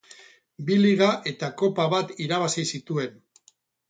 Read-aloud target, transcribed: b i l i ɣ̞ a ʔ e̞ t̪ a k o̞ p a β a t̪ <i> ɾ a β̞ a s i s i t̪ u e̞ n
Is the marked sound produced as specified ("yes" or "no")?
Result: yes